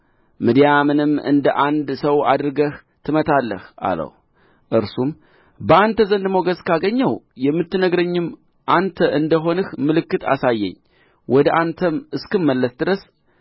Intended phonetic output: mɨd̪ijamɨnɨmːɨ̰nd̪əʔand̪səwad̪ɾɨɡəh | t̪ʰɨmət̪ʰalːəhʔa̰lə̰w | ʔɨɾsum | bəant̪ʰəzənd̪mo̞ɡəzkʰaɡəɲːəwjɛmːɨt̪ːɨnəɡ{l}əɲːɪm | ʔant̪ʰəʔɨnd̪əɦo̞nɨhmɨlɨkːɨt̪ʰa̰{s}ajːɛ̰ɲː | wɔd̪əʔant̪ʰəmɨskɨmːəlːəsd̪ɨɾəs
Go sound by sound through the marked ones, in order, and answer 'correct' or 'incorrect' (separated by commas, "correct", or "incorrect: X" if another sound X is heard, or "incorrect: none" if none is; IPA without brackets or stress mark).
incorrect: ɾ, correct